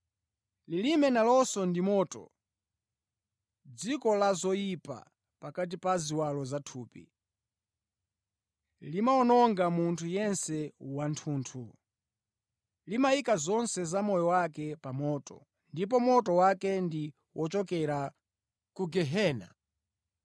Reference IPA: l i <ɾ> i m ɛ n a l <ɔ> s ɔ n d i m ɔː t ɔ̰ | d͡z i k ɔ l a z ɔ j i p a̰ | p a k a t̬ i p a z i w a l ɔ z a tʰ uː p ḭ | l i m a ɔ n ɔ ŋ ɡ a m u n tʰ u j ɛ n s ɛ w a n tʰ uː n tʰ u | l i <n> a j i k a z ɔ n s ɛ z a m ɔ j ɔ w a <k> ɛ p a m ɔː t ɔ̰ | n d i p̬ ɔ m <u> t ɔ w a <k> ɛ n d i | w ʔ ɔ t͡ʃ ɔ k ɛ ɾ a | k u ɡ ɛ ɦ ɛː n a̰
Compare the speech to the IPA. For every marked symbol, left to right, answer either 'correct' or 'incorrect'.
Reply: incorrect, correct, incorrect, correct, incorrect, correct

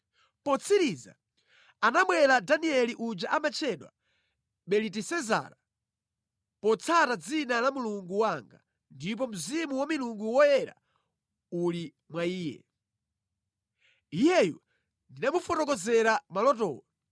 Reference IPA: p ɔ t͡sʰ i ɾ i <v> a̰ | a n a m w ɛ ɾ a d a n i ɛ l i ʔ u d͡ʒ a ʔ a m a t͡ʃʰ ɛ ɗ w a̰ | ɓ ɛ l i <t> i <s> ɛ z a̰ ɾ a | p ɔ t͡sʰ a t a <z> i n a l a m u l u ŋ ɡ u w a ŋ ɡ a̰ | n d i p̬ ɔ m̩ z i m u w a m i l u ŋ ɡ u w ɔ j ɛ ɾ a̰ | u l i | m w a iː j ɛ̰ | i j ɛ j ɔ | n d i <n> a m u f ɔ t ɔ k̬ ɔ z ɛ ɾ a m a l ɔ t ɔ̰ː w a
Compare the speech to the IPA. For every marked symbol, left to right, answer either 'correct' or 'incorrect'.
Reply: incorrect, correct, correct, incorrect, correct

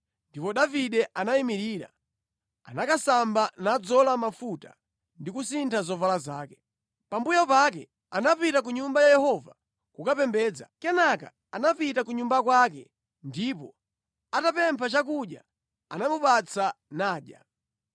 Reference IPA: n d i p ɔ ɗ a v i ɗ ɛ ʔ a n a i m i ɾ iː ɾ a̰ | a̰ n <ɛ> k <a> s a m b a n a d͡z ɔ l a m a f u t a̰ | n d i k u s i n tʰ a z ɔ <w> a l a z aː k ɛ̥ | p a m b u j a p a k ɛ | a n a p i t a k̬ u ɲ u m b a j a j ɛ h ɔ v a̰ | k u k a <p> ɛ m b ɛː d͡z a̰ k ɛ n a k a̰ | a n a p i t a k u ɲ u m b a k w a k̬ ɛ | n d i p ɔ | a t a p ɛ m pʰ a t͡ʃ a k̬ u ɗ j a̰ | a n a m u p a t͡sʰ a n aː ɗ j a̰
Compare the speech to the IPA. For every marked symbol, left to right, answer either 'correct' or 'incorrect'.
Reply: incorrect, correct, incorrect, correct

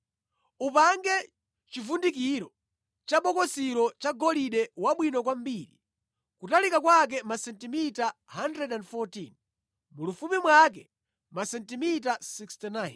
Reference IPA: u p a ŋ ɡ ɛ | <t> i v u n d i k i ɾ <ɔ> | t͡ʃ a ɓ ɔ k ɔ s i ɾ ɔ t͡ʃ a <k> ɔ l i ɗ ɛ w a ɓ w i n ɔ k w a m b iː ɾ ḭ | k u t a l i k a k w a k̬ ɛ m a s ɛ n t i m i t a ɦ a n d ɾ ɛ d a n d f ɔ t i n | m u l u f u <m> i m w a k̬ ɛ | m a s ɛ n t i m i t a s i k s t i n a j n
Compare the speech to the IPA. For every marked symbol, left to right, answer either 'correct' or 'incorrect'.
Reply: incorrect, correct, incorrect, correct

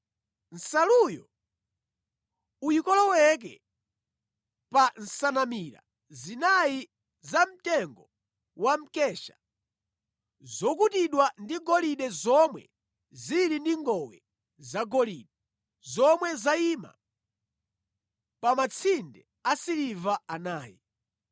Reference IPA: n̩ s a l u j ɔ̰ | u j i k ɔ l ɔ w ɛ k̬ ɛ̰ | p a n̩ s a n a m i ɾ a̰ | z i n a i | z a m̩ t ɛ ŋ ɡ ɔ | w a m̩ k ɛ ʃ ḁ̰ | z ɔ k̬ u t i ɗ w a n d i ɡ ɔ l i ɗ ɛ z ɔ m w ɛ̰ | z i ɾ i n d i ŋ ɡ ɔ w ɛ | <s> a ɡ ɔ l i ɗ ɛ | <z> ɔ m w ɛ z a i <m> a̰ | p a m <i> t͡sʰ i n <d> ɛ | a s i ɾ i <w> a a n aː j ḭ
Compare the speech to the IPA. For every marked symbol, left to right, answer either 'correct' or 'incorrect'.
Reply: incorrect, correct, correct, incorrect, correct, incorrect

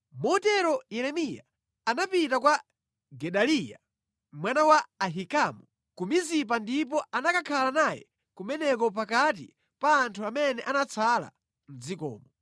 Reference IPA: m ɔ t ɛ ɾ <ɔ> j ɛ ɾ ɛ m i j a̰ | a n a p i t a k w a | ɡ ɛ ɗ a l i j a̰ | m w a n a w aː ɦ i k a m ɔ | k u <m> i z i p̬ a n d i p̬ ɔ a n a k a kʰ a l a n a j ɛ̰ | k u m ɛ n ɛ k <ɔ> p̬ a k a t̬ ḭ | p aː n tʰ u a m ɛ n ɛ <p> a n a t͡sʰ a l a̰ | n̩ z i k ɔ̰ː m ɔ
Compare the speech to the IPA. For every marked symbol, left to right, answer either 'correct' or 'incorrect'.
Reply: correct, correct, correct, incorrect

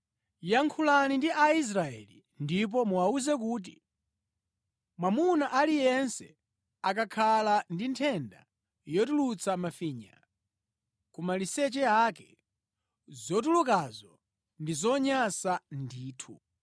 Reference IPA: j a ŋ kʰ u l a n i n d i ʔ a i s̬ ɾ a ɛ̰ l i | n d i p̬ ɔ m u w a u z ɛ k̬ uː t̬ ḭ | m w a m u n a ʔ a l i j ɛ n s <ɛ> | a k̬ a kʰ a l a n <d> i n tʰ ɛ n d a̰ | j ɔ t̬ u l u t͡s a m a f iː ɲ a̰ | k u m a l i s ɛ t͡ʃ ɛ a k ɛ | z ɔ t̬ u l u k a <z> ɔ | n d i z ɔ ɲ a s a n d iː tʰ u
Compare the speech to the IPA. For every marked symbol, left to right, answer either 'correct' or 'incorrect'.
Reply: correct, correct, correct

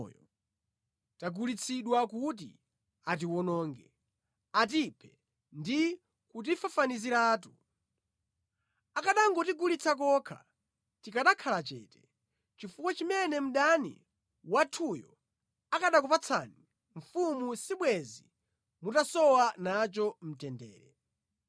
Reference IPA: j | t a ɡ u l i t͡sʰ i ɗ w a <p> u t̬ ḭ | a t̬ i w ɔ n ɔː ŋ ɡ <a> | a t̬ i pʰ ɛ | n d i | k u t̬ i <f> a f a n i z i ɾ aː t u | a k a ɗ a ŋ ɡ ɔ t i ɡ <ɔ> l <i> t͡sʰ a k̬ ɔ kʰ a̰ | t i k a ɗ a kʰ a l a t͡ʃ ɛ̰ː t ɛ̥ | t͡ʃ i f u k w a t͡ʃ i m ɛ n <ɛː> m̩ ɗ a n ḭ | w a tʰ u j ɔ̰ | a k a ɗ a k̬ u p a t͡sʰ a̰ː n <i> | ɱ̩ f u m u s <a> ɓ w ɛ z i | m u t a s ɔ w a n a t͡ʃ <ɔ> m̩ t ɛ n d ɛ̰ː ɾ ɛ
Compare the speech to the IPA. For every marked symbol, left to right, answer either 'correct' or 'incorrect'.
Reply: incorrect, incorrect, correct, incorrect, correct, incorrect, correct, incorrect, correct

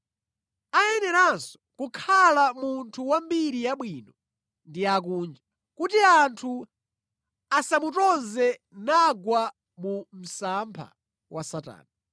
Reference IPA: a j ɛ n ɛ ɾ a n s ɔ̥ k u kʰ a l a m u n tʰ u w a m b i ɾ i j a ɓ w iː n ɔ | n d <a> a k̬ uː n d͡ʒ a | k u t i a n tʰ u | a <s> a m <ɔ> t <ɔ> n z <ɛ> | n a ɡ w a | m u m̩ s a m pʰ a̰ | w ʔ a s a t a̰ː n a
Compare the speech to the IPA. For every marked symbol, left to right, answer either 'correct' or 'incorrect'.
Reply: incorrect, correct, incorrect, correct, correct

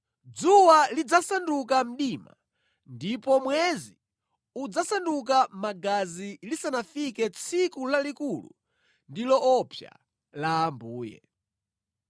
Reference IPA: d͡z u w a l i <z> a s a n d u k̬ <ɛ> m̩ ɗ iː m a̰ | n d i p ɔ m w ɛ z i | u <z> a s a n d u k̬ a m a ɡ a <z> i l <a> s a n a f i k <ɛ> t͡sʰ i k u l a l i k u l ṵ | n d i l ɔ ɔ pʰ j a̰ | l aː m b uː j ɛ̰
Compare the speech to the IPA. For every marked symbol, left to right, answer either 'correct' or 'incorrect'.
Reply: incorrect, incorrect, incorrect, correct, incorrect, correct

